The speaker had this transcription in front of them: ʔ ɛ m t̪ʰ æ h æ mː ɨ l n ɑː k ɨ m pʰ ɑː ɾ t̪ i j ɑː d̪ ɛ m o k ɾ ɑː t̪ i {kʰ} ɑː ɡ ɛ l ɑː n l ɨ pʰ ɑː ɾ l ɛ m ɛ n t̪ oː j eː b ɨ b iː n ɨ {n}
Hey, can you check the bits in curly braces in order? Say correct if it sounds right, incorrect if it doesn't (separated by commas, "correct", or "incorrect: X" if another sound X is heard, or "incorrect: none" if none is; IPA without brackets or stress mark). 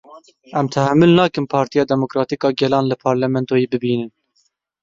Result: incorrect: k, correct